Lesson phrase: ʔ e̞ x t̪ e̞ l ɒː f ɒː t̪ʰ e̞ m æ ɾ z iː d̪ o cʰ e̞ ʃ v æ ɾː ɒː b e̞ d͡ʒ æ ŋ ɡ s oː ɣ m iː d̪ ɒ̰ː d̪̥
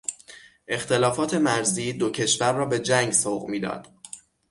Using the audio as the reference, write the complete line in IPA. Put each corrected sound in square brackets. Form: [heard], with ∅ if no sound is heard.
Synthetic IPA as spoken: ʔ e̞ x t̪ e̞ l ɒː f ɒː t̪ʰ e̞ m æ ɾ z iː d̪ o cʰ e̞ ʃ v æ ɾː ɒː b e̞ d͡ʒ æ ŋ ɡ s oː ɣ m iː d̪ ɒ̰ː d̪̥